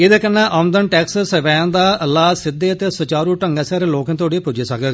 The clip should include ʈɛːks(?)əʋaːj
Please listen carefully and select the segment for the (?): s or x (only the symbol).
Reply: s